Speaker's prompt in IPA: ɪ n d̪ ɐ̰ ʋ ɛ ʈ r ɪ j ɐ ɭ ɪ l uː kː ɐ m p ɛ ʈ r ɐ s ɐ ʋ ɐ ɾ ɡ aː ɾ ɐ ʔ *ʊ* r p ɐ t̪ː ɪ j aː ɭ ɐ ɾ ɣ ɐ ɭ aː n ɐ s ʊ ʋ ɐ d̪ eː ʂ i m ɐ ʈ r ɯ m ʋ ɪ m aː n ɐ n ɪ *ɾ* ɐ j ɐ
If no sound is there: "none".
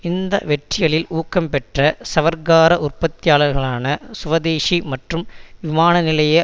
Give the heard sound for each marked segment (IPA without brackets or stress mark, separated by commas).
ʊ, l